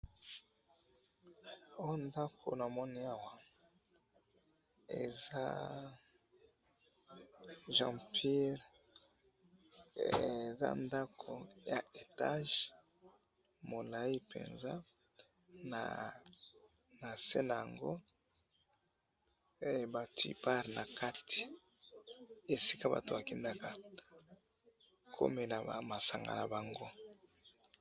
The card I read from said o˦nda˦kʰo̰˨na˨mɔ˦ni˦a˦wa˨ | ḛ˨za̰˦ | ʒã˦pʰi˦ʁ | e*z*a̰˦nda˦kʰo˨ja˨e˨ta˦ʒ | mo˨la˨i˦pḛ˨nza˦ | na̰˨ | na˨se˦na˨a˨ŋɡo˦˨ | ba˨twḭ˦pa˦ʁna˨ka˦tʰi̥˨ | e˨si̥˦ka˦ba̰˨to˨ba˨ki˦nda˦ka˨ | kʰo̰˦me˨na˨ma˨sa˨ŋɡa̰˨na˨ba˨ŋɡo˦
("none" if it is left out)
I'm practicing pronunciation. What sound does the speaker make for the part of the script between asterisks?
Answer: z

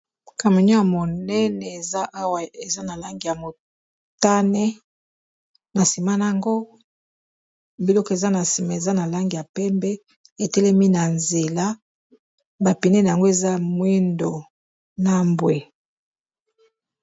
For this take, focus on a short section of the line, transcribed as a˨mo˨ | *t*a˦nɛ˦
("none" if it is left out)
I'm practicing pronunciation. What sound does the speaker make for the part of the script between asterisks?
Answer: t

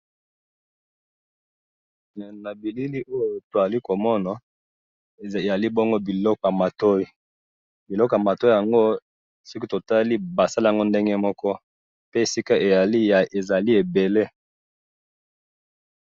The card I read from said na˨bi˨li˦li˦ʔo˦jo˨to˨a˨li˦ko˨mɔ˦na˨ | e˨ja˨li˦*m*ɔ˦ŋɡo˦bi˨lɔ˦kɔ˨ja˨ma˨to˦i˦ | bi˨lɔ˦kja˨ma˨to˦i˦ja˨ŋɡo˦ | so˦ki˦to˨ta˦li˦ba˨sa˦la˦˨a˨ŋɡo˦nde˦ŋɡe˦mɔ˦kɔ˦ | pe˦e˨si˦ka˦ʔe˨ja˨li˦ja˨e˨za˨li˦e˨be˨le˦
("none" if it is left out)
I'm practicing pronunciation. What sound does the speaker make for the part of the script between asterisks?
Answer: b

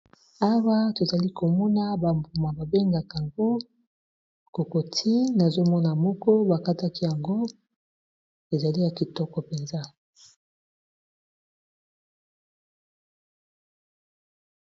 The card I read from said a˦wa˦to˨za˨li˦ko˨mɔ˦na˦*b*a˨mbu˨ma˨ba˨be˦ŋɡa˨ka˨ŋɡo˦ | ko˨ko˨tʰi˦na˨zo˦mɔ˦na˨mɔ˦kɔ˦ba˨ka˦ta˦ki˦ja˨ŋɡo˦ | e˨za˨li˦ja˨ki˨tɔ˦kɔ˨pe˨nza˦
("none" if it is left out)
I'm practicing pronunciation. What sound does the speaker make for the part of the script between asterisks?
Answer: b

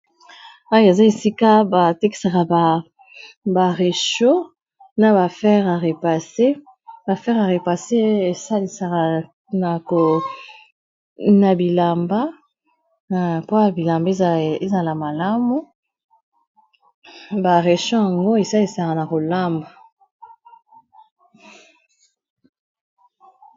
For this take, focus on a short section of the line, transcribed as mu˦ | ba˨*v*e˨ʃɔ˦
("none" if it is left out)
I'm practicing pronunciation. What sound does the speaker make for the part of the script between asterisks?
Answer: ʁ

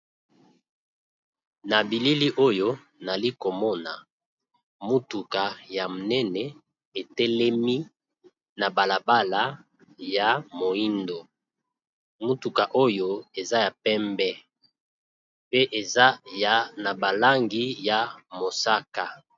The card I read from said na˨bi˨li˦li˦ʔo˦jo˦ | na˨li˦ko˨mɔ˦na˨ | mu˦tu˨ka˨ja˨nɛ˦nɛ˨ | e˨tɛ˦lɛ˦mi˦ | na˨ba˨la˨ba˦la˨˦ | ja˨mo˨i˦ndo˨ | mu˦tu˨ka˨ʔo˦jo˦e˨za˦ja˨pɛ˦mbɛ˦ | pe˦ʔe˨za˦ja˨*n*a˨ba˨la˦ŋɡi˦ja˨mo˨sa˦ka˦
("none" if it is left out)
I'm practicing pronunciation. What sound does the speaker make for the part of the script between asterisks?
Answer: n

